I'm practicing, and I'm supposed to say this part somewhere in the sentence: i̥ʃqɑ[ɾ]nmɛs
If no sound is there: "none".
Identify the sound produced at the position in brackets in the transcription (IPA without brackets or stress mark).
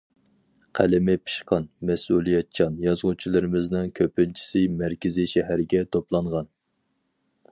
none